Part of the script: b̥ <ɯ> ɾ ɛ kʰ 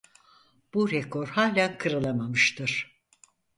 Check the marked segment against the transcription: incorrect: u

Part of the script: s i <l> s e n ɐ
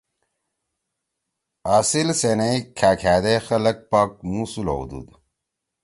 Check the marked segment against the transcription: correct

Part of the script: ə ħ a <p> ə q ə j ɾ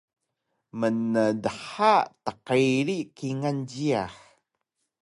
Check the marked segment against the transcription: incorrect: t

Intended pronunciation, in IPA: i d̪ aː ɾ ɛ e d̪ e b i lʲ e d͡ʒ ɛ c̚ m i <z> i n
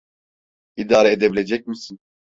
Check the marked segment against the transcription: incorrect: s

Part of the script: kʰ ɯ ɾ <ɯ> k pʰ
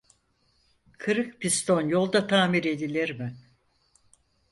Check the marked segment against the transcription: correct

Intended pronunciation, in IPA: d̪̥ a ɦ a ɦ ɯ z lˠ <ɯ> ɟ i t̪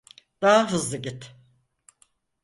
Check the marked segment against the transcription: correct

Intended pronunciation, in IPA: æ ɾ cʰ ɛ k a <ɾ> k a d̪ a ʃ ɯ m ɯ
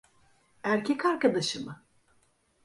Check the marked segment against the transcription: correct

